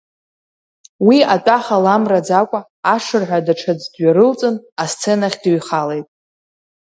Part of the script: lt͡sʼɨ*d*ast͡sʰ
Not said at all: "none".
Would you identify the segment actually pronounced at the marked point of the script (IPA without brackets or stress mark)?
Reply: n